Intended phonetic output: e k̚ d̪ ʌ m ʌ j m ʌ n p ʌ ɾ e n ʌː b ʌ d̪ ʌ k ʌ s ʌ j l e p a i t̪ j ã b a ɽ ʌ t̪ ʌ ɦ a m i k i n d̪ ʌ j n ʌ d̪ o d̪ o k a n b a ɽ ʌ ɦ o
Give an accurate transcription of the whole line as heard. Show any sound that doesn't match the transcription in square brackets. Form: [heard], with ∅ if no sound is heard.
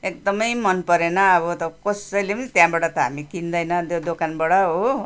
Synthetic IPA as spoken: e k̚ d̪ ʌ m ʌ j m ʌ n p ʌ ɾ e n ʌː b ʌ [t̪] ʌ k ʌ s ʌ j l e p [ʌ] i t̪ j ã b a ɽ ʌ t̪ ʌ ɦ a m i k i n d̪ ʌ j n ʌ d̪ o d̪ o k a n b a ɽ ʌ ɦ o